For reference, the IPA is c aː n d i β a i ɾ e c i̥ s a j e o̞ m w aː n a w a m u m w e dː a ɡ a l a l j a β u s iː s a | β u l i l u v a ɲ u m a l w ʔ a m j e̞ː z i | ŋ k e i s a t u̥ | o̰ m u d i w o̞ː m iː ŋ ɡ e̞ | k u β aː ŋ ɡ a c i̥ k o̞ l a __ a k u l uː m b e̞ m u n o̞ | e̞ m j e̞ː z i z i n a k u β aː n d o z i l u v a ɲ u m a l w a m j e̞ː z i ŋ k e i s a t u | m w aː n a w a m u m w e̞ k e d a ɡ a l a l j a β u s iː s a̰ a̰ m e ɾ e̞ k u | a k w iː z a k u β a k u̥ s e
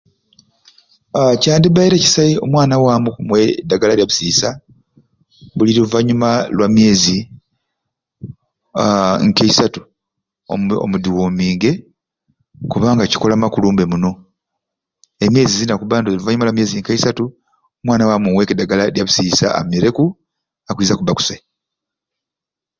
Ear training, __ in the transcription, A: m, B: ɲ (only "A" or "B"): A